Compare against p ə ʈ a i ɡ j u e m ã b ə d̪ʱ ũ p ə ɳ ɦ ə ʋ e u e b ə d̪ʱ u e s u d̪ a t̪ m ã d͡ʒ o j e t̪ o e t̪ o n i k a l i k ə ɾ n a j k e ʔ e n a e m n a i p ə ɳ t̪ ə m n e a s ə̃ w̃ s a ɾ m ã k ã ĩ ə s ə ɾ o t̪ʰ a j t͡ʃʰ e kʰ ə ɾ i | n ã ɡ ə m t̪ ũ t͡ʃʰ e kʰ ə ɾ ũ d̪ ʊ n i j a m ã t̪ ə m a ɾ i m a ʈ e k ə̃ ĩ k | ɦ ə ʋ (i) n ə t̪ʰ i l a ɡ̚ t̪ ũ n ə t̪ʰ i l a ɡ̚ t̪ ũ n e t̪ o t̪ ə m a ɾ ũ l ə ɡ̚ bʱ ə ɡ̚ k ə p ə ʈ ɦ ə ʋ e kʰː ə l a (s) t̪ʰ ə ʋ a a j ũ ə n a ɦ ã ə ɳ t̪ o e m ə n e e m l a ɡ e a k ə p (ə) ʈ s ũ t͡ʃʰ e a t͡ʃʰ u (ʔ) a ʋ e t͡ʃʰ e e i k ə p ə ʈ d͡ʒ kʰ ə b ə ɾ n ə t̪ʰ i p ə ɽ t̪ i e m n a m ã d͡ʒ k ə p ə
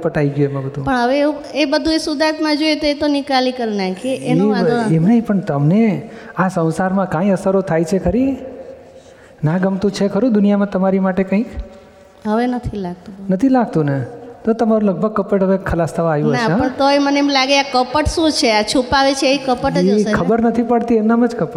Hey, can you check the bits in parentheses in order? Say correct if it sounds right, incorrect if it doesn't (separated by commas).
incorrect, correct, correct, incorrect